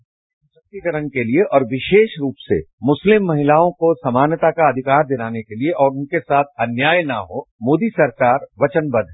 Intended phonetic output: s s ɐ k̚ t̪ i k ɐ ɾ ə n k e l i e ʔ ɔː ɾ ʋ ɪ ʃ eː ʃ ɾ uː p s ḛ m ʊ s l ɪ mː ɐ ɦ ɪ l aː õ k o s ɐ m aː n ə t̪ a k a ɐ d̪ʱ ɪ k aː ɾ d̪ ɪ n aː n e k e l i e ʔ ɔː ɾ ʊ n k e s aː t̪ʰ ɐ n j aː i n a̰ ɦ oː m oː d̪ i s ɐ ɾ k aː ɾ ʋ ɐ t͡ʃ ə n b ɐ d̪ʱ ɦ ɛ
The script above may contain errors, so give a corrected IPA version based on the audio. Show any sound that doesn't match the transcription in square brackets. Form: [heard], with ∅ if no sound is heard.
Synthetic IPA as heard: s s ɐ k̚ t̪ i k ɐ ɾ ə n k e l i e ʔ ɔː ɾ ʋ ɪ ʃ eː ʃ ɾ uː p s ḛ m ʊ s l ɪ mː ɐ ɦ ɪ l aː õ k o s ɐ m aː n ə t̪ a k a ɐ d̪ʱ ɪ k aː ɾ d̪ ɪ n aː n e k e l i e ʔ ɔː ɾ ʊ n k e s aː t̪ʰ ɐ n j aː [j] n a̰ ɦ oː m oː d̪ i s ɐ ɾ k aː ɾ ʋ ɐ t͡ʃ ə n b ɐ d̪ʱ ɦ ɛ